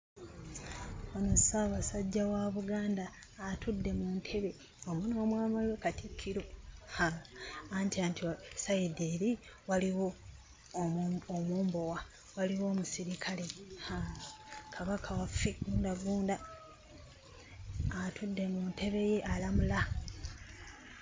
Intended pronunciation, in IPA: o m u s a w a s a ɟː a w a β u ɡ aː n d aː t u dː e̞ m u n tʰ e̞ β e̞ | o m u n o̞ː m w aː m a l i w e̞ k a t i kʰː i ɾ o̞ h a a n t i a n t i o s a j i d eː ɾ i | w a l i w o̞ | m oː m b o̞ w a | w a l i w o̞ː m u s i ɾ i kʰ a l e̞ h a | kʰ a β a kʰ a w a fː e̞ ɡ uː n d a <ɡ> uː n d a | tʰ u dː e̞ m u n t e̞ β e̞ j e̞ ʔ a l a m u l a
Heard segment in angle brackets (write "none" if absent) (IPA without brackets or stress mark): ɡ